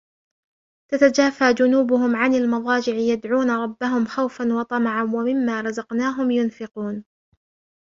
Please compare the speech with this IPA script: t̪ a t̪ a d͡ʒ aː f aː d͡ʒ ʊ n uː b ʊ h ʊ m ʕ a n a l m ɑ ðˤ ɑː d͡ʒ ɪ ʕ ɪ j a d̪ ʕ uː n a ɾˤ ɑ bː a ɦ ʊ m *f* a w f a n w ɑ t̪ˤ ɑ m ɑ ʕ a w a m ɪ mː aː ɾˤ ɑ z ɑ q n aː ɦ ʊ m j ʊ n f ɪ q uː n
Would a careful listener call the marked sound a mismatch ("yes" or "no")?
yes